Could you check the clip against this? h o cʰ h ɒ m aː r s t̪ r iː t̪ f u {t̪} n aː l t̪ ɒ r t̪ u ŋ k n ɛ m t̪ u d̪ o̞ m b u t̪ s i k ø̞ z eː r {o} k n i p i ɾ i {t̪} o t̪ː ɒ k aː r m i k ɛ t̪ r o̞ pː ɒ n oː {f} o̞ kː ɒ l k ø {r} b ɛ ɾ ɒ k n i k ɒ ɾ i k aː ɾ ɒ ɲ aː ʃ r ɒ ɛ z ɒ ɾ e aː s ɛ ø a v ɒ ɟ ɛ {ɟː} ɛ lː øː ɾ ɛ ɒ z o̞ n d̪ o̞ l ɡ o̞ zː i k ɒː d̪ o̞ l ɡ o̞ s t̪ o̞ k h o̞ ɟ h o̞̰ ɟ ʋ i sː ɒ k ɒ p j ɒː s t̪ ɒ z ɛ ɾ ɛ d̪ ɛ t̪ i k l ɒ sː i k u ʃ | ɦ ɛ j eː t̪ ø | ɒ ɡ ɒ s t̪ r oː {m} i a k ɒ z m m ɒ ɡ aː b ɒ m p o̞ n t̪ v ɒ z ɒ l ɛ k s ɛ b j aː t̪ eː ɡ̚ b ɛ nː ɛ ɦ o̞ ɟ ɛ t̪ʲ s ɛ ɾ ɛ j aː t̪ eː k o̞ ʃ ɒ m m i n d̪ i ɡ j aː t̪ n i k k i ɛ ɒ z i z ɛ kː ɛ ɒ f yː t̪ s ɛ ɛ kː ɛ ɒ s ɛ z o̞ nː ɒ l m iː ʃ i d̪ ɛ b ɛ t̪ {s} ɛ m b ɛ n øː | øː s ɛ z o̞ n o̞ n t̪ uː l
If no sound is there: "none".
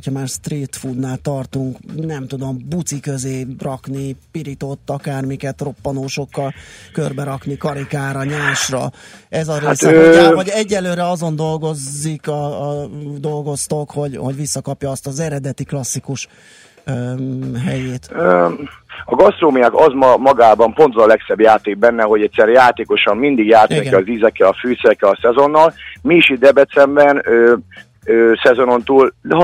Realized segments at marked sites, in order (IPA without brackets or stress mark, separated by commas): d̪, ɒ, t̪, ʃ, r, ɟː, m, s